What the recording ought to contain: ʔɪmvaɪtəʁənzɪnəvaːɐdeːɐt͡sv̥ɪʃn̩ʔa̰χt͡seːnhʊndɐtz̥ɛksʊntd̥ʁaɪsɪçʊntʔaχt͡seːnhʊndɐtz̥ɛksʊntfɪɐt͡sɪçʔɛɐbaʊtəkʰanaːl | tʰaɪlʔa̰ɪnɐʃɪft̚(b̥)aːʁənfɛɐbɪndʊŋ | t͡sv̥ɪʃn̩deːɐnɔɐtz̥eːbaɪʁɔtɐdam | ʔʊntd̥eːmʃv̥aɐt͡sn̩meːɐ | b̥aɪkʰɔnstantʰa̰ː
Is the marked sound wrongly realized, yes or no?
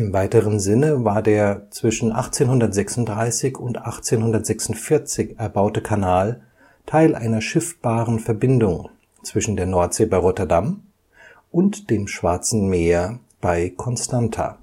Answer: no